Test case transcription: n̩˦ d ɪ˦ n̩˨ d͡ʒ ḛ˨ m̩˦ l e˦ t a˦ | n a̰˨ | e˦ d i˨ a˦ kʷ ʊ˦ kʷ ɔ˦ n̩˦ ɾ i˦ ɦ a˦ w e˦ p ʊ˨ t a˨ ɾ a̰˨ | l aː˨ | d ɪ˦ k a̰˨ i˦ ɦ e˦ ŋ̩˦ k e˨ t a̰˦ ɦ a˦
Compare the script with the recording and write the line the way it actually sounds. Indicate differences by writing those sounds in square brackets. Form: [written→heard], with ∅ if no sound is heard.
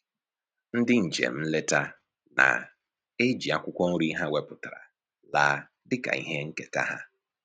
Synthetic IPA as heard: n̩˦ d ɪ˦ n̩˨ d͡ʒ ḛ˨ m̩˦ l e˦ t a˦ | n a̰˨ | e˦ [d→d͡ʒ] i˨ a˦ kʷ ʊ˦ kʷ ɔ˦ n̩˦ ɾ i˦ ɦ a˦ w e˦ p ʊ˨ t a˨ ɾ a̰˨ | l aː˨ | d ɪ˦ k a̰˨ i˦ ɦ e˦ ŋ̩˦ k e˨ t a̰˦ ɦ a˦